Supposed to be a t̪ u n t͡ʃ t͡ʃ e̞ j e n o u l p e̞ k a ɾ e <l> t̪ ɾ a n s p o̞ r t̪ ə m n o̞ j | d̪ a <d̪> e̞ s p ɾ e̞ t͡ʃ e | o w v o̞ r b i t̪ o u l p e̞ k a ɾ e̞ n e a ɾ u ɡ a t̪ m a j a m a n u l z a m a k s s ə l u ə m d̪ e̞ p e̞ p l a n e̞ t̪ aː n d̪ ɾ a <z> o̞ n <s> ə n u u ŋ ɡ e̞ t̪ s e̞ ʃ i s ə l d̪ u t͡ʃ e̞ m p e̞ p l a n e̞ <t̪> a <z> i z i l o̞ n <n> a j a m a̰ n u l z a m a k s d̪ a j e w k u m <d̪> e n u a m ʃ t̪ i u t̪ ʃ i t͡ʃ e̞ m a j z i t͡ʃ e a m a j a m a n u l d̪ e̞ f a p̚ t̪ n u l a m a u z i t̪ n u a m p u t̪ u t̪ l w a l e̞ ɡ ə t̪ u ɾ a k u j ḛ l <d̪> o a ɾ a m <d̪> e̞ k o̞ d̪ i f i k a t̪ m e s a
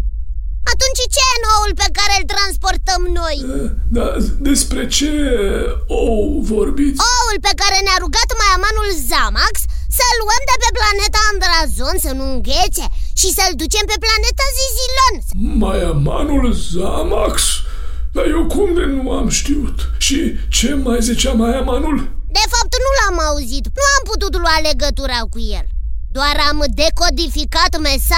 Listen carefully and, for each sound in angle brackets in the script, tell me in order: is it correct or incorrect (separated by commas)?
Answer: correct, correct, correct, correct, correct, correct, incorrect, correct, correct, correct